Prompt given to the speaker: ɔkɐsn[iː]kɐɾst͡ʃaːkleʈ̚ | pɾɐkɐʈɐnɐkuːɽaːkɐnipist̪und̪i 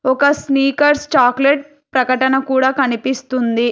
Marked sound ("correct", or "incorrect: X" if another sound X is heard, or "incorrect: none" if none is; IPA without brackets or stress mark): correct